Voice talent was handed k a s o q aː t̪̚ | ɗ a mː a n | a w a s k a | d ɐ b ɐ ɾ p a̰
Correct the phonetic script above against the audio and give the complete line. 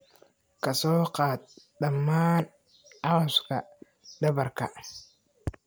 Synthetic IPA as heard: k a s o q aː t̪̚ | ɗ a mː a n | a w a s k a | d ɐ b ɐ ɾ k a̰